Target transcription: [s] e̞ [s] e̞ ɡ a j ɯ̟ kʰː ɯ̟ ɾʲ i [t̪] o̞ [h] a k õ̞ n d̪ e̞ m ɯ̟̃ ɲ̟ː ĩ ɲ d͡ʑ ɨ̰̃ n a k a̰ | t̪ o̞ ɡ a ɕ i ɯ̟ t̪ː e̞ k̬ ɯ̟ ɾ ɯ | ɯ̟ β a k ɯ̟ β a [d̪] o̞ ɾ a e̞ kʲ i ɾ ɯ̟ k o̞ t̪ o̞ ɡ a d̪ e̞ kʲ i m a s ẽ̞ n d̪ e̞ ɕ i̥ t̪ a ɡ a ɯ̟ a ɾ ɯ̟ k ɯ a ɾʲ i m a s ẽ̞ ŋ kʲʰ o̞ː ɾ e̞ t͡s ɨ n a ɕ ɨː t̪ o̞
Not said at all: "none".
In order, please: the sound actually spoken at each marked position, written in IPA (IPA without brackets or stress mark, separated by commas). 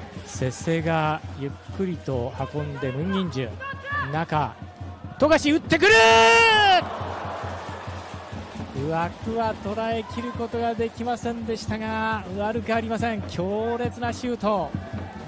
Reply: s, s, t̪, h, t̪